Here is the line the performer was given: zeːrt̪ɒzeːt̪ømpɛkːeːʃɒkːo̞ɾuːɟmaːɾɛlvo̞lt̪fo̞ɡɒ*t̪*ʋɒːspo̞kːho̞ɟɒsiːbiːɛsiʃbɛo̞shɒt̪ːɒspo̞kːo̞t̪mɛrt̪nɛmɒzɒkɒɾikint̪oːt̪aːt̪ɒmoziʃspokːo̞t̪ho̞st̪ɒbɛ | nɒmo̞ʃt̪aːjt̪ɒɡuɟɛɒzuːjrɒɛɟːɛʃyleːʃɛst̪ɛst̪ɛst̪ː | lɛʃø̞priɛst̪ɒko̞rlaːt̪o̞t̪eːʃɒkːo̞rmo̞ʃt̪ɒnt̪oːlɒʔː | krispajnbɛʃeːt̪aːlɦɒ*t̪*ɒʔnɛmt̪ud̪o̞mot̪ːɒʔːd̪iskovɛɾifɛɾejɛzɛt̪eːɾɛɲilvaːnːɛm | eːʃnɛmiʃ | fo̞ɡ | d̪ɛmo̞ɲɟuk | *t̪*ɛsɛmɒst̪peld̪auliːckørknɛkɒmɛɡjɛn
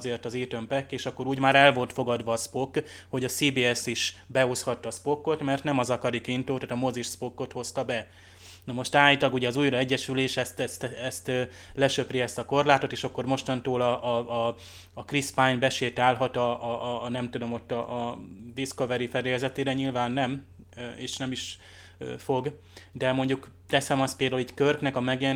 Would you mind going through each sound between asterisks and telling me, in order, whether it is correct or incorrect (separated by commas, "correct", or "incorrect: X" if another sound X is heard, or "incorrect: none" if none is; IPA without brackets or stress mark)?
incorrect: d̪, correct, correct